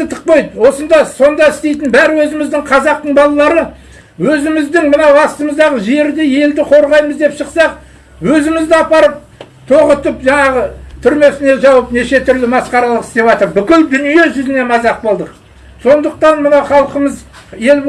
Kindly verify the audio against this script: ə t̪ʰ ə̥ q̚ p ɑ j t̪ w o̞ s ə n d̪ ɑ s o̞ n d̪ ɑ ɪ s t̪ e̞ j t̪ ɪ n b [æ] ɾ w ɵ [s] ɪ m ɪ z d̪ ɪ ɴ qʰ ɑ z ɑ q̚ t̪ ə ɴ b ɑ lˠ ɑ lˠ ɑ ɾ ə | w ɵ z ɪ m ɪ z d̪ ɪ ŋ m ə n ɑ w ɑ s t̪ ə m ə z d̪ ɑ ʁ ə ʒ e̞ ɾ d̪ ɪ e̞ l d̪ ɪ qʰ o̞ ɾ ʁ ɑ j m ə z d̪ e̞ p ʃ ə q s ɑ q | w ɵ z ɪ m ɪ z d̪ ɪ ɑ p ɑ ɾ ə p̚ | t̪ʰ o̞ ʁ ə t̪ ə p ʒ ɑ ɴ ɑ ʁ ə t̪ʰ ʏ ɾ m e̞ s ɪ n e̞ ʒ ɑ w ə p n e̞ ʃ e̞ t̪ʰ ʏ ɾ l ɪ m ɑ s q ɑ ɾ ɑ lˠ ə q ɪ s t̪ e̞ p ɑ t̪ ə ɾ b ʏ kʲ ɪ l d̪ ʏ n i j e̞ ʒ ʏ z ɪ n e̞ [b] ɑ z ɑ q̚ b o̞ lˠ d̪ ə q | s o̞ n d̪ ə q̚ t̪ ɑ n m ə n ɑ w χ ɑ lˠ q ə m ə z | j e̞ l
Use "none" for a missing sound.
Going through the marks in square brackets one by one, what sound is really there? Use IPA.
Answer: æ, z, m

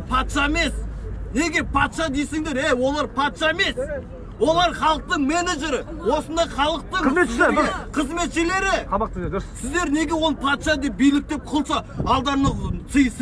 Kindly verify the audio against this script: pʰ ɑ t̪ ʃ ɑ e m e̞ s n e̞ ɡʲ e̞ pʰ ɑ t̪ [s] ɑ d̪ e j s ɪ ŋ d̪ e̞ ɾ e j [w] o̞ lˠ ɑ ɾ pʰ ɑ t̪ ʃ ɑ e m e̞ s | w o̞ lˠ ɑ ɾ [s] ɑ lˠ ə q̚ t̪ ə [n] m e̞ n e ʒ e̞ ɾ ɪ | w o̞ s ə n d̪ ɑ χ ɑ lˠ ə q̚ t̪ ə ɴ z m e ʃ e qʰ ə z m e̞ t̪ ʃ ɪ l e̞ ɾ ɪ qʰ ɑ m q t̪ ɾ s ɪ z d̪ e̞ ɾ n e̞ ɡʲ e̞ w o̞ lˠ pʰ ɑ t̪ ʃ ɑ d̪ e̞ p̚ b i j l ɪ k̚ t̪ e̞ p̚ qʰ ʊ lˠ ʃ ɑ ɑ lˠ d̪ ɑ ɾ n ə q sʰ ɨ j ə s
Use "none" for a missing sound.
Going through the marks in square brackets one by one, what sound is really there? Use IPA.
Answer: ʃ, w, χ, ɴ

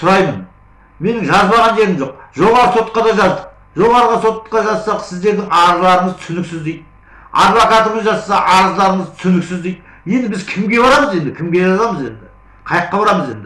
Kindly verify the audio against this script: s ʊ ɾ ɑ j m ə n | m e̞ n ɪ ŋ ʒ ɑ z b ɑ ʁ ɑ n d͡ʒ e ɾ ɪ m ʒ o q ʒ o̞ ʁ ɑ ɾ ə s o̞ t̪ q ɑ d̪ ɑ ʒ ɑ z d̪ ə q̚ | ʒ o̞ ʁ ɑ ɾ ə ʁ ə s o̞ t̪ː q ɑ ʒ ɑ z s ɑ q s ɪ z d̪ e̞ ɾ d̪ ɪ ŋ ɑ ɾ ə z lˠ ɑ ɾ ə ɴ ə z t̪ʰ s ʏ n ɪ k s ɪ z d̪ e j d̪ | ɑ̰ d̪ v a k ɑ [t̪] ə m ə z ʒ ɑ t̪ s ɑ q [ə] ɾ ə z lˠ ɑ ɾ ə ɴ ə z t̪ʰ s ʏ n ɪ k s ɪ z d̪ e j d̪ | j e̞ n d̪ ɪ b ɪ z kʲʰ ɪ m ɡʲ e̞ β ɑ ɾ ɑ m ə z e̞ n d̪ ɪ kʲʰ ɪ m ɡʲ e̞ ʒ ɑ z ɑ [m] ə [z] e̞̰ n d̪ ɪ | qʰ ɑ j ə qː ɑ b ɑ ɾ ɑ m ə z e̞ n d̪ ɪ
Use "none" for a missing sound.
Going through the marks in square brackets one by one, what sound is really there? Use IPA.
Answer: t̪, ɑ, m, z

